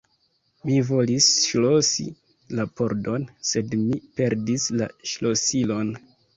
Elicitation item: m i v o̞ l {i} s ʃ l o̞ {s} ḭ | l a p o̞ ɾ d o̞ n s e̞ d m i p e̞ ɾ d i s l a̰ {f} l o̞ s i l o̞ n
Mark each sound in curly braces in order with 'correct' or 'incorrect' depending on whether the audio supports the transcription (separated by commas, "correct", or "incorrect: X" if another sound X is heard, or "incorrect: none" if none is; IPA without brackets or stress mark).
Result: correct, correct, incorrect: ʃ